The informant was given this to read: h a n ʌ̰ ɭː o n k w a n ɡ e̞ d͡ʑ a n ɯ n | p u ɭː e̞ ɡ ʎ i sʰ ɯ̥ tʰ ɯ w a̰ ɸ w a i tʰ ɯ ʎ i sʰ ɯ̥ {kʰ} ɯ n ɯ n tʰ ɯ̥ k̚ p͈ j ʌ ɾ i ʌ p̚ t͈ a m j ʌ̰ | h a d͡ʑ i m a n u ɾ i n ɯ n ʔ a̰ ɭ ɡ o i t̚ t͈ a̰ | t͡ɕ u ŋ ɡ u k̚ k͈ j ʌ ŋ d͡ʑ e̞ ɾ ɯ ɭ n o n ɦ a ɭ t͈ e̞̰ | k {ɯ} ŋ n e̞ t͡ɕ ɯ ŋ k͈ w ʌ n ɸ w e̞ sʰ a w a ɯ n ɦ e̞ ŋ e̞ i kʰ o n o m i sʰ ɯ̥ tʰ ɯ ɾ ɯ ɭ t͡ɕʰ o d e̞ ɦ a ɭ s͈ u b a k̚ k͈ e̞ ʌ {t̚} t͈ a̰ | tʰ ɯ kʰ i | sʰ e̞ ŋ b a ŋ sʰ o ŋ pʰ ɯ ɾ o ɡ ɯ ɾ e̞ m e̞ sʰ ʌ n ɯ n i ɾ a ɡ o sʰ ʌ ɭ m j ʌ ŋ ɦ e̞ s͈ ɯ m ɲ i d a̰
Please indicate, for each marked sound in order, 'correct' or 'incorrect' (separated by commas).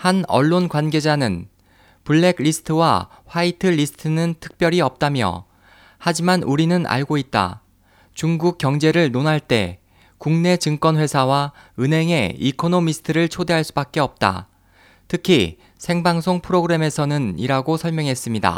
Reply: incorrect, incorrect, incorrect